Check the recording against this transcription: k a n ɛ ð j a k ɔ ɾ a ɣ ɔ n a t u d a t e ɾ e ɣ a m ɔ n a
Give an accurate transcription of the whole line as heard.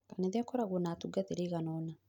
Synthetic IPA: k a n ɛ ð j a k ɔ ɾ a ɣ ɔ n a t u ɡ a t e ɾ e ɣ a n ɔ n a